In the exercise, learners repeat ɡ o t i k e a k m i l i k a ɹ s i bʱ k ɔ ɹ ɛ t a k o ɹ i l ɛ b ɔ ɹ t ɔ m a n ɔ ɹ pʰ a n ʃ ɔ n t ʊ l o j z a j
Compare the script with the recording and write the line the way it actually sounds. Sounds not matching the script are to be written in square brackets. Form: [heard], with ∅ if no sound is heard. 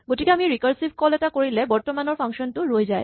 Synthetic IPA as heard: ɡ o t i k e a [∅] m i [ɹ] i k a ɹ s i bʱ k ɔ [l] ɛ t a k o ɹ i l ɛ b ɔ ɹ t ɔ m a n ɔ ɹ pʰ a [ŋ] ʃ ɔ n t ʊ [ɹ] o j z a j